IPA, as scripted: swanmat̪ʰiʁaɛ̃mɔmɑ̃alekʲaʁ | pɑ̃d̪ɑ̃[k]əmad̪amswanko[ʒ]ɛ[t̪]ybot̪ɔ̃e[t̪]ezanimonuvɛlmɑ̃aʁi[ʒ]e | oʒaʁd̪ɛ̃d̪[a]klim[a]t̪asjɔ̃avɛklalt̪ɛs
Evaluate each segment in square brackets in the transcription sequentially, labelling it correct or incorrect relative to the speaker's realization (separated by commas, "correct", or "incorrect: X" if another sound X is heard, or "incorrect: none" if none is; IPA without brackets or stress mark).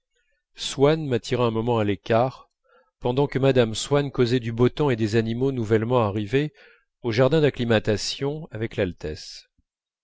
correct, incorrect: z, incorrect: d̪, incorrect: d̪, incorrect: v, correct, correct